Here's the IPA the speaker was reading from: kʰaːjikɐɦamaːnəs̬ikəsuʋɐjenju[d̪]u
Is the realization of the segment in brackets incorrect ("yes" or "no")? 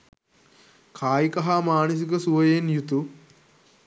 yes